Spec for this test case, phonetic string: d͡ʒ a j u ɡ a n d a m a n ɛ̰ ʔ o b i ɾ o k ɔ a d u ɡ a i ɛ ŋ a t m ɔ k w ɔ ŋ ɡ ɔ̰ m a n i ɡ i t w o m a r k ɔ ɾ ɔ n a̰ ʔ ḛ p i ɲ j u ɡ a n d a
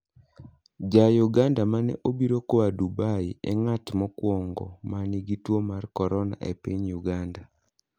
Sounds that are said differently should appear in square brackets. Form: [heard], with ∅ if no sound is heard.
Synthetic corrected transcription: d͡ʒ a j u ɡ a n d a m a n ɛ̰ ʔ o b i ɾ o k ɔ a d u [b] a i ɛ ŋ a t m ɔ k w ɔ ŋ ɡ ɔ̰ m a n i ɡ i t w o m a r k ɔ ɾ ɔ n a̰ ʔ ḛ p i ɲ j u ɡ a n d a